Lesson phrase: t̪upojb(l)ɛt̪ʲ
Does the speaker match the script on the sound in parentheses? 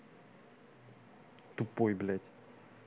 yes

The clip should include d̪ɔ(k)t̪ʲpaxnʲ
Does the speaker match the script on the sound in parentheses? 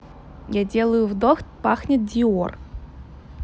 no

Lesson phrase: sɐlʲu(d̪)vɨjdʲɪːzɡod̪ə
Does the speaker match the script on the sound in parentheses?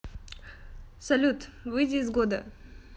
no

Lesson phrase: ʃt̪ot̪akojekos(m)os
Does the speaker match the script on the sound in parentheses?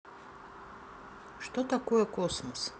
yes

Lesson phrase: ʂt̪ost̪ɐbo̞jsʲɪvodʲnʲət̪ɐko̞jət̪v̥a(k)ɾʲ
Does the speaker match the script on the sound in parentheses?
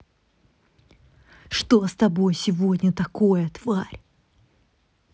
no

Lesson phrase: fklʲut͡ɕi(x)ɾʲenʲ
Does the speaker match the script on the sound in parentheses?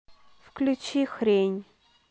yes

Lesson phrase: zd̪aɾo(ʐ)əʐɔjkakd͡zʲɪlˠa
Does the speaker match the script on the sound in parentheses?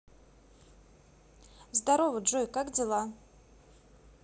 no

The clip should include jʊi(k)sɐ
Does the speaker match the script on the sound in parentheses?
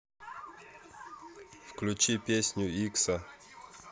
yes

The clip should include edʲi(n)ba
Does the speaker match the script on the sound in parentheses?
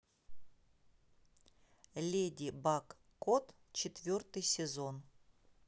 no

